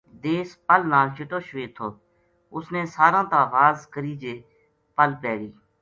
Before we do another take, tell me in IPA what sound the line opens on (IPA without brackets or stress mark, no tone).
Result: d̪